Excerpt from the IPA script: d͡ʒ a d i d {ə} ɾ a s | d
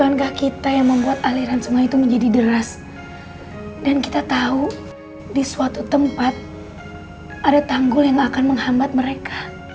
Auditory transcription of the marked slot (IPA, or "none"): ə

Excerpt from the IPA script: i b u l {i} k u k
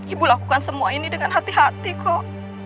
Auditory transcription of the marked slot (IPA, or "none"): a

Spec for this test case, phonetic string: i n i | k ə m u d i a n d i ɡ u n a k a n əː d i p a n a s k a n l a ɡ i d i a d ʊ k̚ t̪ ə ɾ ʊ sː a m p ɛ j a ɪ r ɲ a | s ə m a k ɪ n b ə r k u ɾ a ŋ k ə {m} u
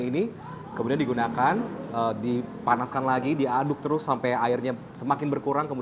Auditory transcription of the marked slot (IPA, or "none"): m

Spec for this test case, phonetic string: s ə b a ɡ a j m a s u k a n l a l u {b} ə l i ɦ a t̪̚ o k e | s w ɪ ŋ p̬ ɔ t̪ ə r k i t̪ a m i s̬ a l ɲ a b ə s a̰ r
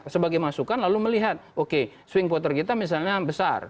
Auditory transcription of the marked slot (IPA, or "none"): m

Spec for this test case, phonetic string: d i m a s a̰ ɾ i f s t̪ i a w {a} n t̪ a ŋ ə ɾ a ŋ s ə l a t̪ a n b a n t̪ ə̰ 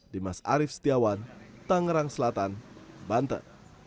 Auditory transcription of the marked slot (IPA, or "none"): a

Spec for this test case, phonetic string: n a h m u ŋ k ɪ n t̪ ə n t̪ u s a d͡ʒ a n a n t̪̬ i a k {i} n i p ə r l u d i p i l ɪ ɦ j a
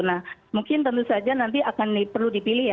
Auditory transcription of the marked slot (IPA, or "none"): a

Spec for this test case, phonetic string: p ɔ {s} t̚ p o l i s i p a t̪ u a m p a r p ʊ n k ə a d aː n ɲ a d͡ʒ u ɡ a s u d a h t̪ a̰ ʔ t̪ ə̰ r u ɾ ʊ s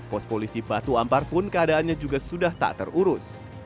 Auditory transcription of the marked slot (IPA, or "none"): s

